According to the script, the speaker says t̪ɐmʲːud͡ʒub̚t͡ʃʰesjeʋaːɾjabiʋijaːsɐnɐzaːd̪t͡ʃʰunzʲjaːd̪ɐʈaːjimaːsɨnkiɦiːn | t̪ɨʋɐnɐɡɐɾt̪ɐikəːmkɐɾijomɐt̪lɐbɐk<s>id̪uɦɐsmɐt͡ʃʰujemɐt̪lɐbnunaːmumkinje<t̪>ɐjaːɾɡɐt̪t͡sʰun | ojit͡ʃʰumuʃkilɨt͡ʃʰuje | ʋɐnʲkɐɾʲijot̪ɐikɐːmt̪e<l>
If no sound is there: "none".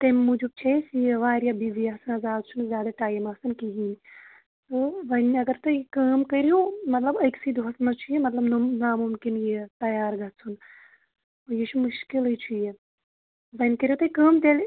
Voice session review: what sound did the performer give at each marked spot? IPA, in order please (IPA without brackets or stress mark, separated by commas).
s, t̪, l